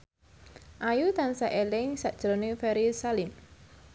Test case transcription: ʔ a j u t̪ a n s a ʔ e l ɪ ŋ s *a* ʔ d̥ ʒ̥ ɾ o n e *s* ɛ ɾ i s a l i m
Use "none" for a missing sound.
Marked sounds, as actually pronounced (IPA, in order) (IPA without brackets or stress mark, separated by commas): a, f